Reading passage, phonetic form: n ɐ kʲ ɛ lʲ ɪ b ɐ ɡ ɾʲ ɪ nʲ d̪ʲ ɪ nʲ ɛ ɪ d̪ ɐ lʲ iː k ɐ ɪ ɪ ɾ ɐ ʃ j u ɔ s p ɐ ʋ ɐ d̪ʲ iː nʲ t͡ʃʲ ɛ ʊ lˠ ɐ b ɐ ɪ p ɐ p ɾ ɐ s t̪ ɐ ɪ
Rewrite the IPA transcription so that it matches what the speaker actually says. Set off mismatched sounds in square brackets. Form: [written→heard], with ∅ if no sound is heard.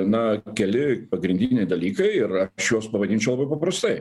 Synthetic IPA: n ɐ kʲ ɛ lʲ ɪ [b→p] ɐ ɡ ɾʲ ɪ nʲ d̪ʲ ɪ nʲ ɛ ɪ d̪ ɐ lʲ iː k ɐ ɪ ɪ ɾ ɐ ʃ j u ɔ s p ɐ ʋ ɐ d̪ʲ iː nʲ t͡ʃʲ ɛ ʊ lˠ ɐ b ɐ ɪ p ɐ p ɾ ɐ s t̪ ɐ ɪ